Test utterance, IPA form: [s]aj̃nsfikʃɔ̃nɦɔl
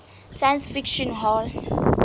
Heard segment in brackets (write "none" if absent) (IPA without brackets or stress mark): s